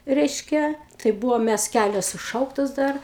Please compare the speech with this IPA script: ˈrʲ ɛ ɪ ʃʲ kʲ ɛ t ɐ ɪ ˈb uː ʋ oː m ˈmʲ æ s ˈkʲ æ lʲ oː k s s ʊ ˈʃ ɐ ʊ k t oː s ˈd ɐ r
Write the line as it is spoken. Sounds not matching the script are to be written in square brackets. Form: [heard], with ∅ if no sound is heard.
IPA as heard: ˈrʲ ɛ ɪ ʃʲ kʲ ɛ t ɐ ɪ ˈb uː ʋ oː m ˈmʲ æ s ˈkʲ æ lʲ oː [∅] s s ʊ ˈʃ ɐ ʊ k t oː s ˈd ɐ r